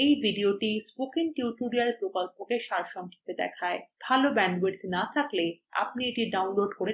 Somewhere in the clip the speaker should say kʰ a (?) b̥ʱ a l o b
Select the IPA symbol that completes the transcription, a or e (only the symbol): e